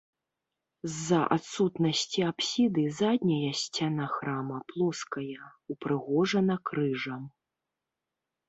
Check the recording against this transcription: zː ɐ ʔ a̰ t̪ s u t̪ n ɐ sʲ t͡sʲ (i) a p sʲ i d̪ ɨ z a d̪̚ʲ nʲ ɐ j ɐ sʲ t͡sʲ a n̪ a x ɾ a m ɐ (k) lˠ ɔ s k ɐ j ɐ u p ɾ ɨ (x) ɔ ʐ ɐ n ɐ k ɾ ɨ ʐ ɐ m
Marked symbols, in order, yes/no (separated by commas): yes, no, no